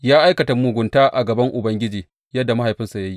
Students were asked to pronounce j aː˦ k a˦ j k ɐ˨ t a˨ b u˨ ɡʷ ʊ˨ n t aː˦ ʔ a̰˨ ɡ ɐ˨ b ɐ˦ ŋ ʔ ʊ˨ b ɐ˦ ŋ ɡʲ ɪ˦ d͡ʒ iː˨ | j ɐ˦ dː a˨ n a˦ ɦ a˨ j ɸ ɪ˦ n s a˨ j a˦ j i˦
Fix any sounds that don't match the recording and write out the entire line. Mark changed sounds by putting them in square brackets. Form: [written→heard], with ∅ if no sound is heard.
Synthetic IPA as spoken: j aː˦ [k→ʔ] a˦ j k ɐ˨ t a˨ [b→m] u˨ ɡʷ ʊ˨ n t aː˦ ʔ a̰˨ ɡ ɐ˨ b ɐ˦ ŋ ʔ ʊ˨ b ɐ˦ ŋ ɡʲ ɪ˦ d͡ʒ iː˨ | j ɐ˦ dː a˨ [n→m] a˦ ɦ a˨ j ɸ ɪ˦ n s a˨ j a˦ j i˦